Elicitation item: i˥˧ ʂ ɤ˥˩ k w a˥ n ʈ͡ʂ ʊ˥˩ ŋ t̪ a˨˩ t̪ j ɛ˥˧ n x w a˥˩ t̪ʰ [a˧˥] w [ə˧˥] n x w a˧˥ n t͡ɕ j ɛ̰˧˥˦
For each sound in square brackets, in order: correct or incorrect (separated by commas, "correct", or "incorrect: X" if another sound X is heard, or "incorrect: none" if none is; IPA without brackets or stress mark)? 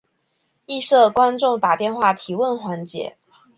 incorrect: i˧˥, incorrect: ə˥˩